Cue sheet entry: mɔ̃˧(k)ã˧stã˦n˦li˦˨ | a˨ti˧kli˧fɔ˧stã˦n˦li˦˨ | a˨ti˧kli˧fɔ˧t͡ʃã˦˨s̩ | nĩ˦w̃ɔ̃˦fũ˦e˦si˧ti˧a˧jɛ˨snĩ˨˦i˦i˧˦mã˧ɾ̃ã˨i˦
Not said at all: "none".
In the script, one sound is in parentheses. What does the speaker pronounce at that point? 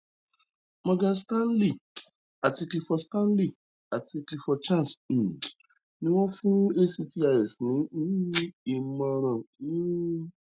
ɡ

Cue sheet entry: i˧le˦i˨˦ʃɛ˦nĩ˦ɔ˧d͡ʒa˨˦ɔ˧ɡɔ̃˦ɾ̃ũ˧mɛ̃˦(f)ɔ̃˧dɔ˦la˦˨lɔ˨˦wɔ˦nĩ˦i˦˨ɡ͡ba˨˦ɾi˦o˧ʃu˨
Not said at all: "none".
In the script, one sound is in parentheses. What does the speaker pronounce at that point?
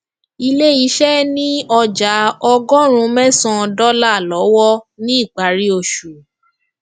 s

